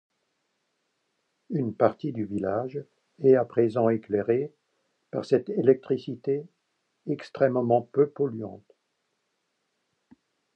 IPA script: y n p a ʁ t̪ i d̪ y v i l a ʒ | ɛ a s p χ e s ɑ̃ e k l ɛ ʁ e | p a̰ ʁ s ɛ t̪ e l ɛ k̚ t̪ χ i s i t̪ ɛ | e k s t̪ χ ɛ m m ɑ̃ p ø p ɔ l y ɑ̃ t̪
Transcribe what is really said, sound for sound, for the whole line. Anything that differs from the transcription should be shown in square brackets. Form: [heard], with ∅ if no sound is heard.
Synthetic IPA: y n p a ʁ t̪ i d̪ y v i l a ʒ | ɛ a [∅] p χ e [z] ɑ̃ e k l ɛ ʁ e | p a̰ ʁ s ɛ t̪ e l ɛ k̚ t̪ χ i s i t̪ [e] | [ɛ] k s t̪ χ ɛ m m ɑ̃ p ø p ɔ l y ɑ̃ t̪